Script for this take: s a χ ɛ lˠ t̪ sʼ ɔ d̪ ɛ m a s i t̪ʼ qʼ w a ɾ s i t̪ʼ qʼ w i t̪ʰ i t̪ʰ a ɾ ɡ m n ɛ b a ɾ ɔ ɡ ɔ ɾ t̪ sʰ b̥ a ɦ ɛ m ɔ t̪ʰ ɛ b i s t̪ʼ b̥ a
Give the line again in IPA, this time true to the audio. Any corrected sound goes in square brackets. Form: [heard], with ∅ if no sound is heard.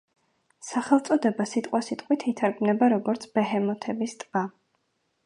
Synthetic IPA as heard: s a χ ɛ lˠ t̪ sʼ ɔ d̪ ɛ [b] a s i t̪ʼ qʼ w a [∅] s i t̪ʼ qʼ w i t̪ʰ i t̪ʰ a ɾ ɡ m n ɛ b a ɾ ɔ ɡ ɔ ɾ t̪ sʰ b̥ [ɛ] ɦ ɛ m ɔ t̪ʰ ɛ b i s t̪ʼ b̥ a